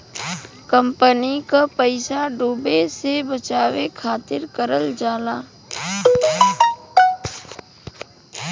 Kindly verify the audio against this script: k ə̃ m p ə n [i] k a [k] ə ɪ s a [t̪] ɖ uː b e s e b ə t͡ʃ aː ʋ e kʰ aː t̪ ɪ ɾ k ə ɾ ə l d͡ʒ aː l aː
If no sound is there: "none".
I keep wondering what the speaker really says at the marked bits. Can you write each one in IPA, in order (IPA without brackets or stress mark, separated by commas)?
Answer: i, p, none